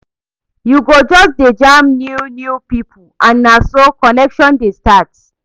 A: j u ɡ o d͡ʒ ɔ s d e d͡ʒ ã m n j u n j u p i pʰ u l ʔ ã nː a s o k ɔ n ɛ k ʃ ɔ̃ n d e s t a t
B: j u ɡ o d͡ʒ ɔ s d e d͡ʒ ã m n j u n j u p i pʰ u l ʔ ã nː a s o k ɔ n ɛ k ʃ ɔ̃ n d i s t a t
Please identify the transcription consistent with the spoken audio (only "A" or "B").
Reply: A